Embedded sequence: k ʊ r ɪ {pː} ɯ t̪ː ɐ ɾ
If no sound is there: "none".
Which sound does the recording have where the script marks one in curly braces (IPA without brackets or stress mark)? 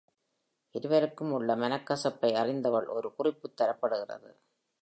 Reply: pː